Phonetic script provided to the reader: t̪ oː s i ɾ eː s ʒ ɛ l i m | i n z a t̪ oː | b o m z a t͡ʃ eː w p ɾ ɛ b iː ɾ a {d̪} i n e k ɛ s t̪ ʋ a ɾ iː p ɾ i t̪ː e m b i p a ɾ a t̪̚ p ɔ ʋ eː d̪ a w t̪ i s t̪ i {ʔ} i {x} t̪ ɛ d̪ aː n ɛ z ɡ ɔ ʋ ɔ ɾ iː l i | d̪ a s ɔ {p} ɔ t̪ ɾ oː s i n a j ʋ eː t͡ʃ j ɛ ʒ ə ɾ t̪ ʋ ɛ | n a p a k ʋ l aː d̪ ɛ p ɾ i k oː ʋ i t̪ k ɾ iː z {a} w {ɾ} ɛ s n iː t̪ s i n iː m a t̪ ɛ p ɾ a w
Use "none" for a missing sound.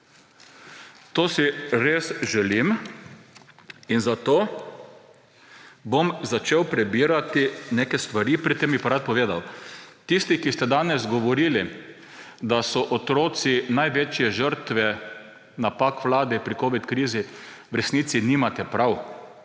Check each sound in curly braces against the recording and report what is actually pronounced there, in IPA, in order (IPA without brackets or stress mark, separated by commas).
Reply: t̪, k, s, ʔ, i, ɾ